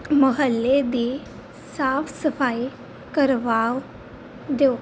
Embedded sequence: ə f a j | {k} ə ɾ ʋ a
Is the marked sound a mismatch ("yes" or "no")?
no